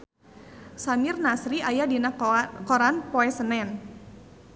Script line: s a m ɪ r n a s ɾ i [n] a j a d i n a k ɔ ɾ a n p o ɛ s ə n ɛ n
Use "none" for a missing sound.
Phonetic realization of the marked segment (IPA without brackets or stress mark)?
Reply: none